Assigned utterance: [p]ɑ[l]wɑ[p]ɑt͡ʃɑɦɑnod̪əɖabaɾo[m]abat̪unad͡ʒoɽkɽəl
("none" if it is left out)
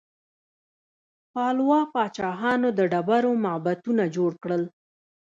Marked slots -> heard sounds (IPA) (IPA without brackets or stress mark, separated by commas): p, l, p, m